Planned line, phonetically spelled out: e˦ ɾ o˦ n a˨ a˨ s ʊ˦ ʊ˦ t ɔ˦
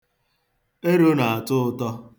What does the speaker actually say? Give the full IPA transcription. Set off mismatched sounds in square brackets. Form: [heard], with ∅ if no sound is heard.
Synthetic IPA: e˦ ɾ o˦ n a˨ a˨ [t] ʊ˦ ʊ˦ t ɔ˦